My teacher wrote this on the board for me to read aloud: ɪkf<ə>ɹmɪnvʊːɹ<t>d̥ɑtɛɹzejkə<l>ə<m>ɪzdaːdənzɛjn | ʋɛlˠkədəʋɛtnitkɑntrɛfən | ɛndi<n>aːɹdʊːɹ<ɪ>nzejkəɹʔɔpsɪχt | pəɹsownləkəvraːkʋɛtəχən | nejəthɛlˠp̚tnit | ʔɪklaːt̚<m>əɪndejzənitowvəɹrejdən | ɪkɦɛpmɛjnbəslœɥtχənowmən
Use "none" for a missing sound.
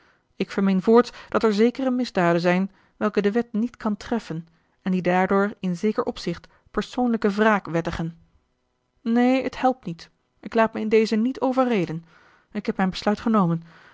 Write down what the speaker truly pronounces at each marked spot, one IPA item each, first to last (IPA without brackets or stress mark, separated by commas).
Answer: ə, t, r, m, d, ɪ, m